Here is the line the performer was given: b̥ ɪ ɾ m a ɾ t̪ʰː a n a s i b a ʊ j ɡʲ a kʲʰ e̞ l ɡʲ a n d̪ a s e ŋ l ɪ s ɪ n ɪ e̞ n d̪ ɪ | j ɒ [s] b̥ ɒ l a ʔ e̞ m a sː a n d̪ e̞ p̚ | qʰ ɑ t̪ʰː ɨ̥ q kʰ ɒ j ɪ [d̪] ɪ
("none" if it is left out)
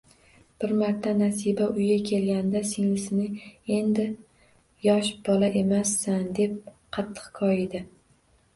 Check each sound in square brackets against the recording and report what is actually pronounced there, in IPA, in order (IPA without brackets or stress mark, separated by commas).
ʃ, d̪